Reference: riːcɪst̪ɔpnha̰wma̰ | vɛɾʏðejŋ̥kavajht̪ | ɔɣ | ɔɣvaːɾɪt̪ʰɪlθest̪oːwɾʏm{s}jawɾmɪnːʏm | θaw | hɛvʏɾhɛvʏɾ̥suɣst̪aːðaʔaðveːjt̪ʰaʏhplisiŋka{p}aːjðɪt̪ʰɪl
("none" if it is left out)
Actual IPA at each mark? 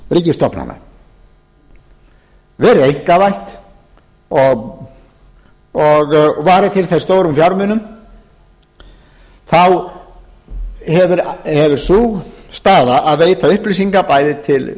f, p

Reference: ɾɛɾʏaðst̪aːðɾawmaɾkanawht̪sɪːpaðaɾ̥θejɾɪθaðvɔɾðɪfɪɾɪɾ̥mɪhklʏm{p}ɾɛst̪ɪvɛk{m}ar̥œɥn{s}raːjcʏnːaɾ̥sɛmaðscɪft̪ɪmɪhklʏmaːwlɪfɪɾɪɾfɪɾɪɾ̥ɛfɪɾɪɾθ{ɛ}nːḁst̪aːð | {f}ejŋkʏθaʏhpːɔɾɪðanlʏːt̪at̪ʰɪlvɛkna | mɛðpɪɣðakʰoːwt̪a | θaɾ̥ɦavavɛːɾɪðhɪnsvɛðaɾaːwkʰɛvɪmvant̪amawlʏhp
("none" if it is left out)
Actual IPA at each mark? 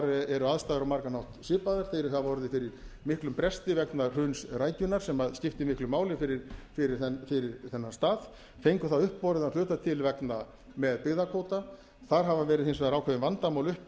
p, n, s, ɛ, f

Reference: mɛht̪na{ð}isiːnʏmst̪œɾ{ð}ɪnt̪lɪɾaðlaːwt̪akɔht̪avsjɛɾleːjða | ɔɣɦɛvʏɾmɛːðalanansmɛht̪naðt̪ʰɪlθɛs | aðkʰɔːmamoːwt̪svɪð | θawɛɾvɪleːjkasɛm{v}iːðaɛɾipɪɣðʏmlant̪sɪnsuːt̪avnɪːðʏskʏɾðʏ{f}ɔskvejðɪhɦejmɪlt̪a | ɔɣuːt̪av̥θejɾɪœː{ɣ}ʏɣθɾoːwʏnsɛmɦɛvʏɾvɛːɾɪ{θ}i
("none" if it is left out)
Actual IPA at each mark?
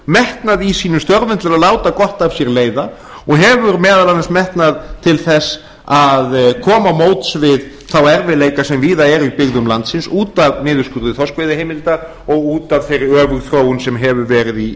ð, v, v, θ, v, ð

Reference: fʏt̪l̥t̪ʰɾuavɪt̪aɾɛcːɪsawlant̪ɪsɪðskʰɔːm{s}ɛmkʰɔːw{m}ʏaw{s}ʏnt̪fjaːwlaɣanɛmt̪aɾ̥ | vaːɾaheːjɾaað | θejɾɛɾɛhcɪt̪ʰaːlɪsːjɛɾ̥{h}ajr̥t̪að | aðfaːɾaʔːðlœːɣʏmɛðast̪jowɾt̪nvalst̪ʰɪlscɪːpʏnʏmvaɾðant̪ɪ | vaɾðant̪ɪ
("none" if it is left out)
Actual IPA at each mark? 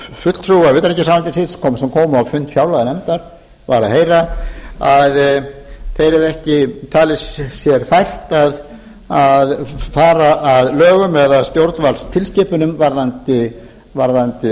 s, m, f, f

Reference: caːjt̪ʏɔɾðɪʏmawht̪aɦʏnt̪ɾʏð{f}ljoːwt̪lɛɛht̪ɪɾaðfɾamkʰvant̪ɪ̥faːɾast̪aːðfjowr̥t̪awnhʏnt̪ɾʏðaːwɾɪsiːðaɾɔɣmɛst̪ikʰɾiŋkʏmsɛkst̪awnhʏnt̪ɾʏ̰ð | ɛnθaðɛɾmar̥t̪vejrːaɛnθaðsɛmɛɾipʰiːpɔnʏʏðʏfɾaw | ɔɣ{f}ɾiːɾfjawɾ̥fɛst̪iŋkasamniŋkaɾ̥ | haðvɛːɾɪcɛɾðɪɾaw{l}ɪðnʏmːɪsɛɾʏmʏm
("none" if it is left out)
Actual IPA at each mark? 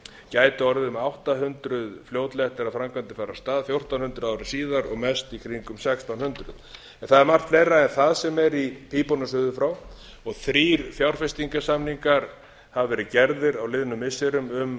f, θ, l

